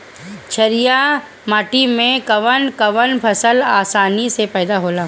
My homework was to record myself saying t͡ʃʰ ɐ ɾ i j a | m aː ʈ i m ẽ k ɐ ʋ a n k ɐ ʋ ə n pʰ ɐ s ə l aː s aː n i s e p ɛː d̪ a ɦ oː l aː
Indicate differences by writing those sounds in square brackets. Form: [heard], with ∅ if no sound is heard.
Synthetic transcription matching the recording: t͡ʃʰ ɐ ɾ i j a | m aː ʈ i m ẽ k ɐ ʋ [ə] n k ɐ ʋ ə n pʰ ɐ s ə l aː s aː n i s e p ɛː d̪ a ɦ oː l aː